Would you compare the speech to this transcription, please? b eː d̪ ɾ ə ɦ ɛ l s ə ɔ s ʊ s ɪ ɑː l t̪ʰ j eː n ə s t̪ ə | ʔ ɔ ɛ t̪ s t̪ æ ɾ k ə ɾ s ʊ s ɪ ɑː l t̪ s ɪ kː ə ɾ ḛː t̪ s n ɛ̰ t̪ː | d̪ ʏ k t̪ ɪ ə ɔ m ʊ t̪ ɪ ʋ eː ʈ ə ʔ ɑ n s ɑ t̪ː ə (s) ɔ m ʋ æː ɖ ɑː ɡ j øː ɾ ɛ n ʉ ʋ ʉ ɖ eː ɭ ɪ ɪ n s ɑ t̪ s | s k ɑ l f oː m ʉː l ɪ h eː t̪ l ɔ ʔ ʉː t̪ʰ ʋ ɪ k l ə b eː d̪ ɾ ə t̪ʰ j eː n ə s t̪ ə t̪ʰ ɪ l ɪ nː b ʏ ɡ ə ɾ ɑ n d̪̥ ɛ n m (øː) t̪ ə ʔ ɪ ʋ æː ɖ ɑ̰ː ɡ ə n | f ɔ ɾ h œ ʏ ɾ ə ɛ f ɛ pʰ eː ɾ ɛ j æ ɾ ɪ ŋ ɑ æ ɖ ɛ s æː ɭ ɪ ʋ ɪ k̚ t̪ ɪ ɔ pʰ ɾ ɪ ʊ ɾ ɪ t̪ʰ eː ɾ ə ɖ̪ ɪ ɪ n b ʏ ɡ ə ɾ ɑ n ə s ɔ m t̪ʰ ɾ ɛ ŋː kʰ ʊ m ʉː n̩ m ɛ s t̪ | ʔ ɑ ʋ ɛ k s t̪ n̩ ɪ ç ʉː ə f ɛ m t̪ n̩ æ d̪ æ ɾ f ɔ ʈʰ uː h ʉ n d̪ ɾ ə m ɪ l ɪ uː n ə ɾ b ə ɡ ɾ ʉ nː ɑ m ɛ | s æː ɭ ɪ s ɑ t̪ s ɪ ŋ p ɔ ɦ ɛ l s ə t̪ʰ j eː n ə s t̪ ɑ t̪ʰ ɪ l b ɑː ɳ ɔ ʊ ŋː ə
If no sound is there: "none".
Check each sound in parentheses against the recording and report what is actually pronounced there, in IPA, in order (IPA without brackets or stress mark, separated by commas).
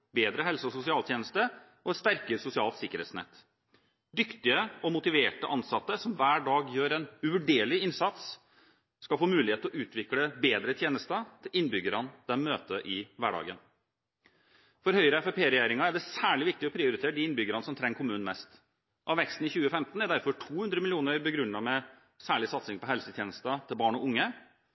s, øː